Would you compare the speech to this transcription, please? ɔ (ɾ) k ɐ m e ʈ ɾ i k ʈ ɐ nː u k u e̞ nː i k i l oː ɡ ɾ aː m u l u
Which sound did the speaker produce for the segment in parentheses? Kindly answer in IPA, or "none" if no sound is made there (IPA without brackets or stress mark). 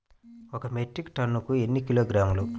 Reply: none